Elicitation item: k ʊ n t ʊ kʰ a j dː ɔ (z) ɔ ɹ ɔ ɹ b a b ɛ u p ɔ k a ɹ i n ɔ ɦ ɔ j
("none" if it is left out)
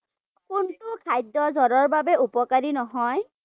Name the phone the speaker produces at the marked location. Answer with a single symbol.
z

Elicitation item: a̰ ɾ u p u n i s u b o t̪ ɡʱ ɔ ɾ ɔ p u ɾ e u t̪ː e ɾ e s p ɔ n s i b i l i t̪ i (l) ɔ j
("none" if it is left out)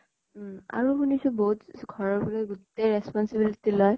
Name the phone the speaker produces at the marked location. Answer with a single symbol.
l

